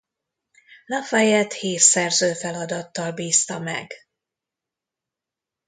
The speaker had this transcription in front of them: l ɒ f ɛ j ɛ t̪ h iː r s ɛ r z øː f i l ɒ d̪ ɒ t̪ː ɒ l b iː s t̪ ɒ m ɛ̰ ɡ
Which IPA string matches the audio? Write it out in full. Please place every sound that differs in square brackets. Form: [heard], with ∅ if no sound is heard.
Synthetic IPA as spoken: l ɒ f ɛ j ɛ t̪ h iː r s ɛ r z øː f [ɛ] l ɒ d̪ ɒ t̪ː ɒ l b iː s t̪ ɒ m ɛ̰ ɡ